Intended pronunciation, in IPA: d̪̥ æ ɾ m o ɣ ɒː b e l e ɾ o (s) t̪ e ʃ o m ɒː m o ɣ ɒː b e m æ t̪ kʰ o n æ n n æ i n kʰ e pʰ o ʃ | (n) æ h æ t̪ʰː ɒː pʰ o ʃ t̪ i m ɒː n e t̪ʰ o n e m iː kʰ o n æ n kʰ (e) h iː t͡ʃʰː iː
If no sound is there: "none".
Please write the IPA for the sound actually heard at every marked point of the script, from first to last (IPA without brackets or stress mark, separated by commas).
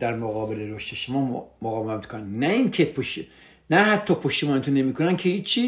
ʃ, n, e